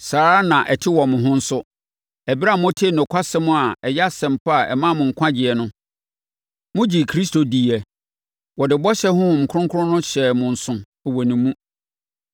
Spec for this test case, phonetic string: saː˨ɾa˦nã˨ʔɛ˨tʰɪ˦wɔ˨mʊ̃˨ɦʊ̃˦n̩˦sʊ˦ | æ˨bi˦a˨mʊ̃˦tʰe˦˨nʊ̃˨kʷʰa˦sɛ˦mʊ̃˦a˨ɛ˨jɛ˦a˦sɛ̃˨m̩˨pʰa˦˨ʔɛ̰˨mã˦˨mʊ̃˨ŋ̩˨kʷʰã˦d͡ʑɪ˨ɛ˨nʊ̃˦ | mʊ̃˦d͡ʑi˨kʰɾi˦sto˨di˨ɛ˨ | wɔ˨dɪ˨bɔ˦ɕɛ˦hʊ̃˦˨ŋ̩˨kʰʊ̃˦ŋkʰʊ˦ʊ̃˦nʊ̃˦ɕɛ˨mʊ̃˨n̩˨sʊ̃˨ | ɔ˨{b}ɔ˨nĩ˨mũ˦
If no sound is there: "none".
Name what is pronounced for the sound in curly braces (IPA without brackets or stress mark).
w